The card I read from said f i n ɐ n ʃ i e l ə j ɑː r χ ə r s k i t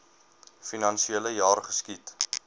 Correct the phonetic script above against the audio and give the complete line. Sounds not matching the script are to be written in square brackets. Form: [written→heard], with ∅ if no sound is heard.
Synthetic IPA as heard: f i n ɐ n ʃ i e l ə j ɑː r χ ə [r→∅] s k i t